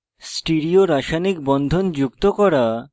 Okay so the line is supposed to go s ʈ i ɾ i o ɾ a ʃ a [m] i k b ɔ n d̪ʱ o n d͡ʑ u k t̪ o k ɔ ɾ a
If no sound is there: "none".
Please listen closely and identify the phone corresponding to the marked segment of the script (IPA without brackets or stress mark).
n